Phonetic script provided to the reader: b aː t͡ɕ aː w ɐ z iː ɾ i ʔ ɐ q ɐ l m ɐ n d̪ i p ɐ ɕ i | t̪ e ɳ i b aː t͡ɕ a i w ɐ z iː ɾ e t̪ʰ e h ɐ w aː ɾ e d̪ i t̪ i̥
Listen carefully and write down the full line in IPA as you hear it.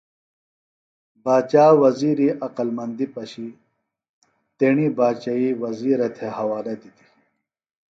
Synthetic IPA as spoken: b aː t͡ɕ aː w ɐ z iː ɾ i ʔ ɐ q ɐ l m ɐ n d̪ i p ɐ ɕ i | t̪ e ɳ i b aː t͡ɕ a i w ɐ z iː ɾ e t̪ʰ e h ɐ w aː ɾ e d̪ i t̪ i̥

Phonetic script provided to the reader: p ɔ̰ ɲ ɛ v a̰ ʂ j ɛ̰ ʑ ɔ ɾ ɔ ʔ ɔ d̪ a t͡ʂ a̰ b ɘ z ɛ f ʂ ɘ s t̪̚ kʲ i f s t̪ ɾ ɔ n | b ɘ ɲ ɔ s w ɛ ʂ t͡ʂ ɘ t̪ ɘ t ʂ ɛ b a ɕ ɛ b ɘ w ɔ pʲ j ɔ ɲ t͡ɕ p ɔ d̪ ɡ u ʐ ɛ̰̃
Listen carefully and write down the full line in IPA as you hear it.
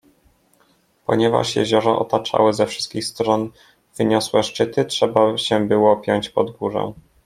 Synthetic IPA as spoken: p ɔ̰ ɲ ɛ v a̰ ʂ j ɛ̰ ʑ ɔ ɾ ɔ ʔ ɔ t̪ a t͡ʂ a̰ w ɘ z ɛ f ʂ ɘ s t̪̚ kʲ i x s t̪ ɾ ɔ n | v ɘ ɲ ɔ s w ɛ ʂ t͡ʂ ɘ t̪ ɘ t ʂ ɛ b a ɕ ɛ b ɘ w ɔ pʲ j ɔ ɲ t͡ɕ p ɔ d̪ ɡ u ʐ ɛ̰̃

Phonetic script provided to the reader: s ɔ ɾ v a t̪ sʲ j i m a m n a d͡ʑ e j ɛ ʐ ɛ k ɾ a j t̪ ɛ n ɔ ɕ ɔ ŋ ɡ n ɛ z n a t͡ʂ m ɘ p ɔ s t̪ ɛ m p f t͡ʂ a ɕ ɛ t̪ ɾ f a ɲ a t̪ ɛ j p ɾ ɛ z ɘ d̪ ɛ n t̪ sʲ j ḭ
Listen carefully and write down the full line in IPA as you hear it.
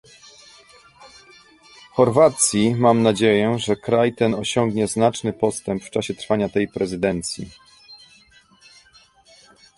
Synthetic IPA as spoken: x ɔ ɾ v a t̪ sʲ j i m a m n a d͡ʑ e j ɛ ʐ ɛ k ɾ a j t̪ ɛ n ɔ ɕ ɔ ŋ ɡ ɲ ɛ z n a t͡ʂ n ɘ p ɔ s t̪ ɛ m p f t͡ʂ a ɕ ɛ t̪ ɾ f a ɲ a t̪ ɛ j p ɾ ɛ z ɘ d̪ ɛ n t̪ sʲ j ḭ

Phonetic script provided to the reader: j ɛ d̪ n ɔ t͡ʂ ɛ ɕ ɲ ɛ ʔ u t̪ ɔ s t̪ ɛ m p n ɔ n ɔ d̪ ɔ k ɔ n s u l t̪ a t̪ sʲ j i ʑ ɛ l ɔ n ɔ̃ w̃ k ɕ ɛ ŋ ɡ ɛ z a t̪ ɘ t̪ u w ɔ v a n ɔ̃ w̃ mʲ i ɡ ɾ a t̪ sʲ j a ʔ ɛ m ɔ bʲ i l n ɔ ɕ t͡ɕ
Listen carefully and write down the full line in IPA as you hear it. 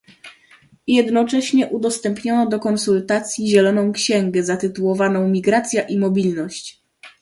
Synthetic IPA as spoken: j ɛ d̪ n ɔ t͡ʂ ɛ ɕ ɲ ɛ ʔ u d̪ ɔ s t̪ ɛ m p ɲ ɔ n ɔ d̪ ɔ k ɔ n s u l t̪ a t̪ sʲ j i ʑ ɛ l ɔ n ɔ̃ w̃ k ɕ ɛ ŋ ɡ ɛ z a t̪ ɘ t̪ u w ɔ v a n ɔ̃ w̃ mʲ i ɡ ɾ a t̪ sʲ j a ʔ i m ɔ bʲ i l n ɔ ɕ t͡ɕ

